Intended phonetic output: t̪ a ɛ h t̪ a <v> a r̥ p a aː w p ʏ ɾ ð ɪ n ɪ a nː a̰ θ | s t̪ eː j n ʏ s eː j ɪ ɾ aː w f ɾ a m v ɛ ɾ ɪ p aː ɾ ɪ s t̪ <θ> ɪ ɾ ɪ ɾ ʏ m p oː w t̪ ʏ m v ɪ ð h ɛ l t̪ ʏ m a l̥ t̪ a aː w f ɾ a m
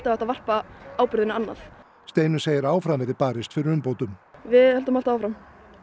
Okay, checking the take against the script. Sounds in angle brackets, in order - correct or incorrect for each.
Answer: correct, incorrect: f

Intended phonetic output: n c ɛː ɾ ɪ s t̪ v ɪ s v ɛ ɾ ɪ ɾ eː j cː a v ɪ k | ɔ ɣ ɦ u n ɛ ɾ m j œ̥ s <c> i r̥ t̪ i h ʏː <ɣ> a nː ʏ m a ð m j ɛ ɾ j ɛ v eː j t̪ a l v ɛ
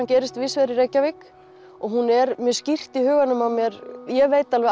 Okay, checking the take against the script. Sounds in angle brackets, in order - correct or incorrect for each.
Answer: correct, correct

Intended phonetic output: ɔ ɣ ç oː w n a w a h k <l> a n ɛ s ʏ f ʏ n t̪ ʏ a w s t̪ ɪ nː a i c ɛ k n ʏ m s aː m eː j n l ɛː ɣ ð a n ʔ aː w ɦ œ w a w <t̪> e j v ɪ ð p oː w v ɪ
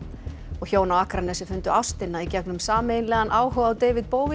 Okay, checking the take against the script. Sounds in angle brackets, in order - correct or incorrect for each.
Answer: incorrect: ɾ, correct

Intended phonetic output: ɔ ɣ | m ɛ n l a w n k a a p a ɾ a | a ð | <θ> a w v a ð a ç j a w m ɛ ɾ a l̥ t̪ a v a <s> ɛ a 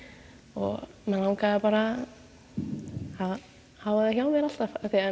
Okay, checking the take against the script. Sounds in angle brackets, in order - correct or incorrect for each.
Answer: incorrect: h, incorrect: θ

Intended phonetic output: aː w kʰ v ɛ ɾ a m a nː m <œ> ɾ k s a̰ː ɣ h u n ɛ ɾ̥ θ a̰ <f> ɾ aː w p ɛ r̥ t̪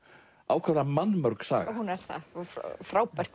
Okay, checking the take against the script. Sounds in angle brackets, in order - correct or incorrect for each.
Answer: correct, correct

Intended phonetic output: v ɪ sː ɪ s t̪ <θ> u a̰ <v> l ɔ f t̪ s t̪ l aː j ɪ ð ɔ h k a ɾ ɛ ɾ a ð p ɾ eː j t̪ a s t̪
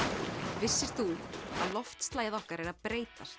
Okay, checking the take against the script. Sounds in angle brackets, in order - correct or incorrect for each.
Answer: correct, incorrect: ð

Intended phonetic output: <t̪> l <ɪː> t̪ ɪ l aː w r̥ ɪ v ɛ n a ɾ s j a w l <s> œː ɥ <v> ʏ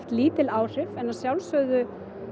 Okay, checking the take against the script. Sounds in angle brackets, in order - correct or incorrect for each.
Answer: correct, incorrect: iː, correct, incorrect: ð

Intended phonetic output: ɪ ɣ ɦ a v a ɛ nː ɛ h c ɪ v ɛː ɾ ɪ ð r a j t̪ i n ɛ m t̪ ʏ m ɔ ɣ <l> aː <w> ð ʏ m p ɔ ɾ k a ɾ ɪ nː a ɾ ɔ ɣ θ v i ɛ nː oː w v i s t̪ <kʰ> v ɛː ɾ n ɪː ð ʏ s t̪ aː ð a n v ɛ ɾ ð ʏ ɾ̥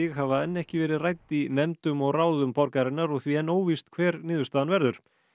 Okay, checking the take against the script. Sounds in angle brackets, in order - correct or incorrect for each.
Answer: incorrect: r, correct, correct

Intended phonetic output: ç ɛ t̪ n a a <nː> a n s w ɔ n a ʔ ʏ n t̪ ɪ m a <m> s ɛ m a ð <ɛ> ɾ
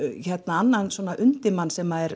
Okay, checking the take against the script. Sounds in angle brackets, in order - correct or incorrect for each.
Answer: correct, incorrect: n, correct

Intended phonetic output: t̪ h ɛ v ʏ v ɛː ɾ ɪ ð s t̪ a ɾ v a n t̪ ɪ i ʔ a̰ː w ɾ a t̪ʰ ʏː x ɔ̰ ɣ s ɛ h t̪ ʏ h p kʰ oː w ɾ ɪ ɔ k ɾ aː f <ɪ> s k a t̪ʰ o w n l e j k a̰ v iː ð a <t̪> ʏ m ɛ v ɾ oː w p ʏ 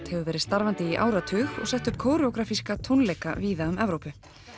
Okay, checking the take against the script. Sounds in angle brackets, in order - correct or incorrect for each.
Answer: incorrect: i, incorrect: none

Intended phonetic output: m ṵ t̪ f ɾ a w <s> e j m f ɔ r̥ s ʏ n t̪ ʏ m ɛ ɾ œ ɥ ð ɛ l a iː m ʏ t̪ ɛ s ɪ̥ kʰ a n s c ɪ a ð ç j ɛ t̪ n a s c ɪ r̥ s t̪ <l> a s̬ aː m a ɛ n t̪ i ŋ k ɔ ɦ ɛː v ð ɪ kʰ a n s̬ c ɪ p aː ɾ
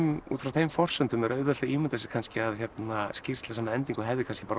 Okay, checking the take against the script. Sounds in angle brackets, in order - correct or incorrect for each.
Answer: incorrect: θ, correct

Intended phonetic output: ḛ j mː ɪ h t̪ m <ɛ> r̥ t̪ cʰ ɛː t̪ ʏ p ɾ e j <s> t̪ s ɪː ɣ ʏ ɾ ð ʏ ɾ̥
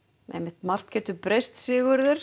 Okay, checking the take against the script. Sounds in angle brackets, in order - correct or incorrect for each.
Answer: incorrect: a, correct

